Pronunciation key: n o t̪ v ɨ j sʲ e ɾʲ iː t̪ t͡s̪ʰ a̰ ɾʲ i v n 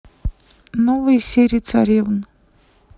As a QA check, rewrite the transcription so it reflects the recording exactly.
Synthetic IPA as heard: n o v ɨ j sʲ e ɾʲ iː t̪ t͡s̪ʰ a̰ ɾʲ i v n